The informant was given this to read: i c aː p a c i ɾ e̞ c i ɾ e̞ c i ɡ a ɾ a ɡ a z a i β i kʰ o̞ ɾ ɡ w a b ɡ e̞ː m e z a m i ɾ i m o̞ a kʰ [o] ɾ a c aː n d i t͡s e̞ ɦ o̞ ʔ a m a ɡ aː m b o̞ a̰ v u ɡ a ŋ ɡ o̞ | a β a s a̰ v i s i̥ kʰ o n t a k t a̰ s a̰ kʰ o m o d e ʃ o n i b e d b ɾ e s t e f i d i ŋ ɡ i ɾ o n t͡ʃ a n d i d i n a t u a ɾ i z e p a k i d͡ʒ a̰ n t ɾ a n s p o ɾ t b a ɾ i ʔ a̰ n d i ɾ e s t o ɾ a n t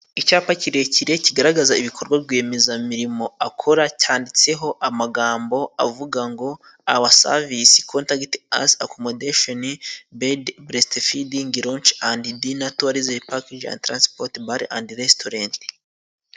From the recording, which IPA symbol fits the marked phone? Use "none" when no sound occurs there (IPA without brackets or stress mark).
o